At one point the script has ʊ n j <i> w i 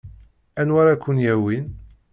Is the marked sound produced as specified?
no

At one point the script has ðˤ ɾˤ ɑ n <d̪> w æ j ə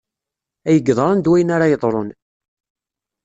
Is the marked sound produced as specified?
yes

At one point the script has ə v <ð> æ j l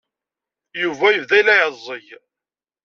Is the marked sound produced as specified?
yes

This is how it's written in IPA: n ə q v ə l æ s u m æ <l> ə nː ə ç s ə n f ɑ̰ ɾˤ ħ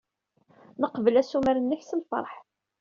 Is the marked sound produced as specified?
no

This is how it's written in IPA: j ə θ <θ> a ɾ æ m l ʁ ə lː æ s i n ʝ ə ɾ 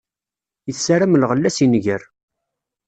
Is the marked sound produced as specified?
no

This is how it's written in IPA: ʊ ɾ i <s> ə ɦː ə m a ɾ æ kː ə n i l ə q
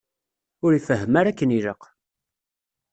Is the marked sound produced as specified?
no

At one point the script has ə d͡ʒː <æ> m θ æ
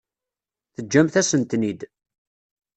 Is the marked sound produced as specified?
yes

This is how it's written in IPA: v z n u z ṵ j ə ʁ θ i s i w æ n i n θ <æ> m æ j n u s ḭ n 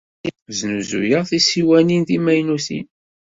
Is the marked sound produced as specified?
no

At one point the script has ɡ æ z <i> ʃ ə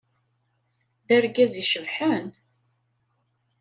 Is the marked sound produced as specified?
yes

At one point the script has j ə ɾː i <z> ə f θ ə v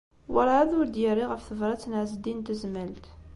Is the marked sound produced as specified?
no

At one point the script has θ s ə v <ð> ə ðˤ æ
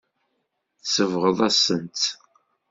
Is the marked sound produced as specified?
no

